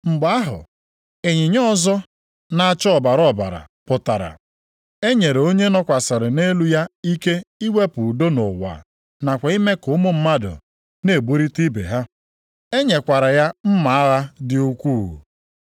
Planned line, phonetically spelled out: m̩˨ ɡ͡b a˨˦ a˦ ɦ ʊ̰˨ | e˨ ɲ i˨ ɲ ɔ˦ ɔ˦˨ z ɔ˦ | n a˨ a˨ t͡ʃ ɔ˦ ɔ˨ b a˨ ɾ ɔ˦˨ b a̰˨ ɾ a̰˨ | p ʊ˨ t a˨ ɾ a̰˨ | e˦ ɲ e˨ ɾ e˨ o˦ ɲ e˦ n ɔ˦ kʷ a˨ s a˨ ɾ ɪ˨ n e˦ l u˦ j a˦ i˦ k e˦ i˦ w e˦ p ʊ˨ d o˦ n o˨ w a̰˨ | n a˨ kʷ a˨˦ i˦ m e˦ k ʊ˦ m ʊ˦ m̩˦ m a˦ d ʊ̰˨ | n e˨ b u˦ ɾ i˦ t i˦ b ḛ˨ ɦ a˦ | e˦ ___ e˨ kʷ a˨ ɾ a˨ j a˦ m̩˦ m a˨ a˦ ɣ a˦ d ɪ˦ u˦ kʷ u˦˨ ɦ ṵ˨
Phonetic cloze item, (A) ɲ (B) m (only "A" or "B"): A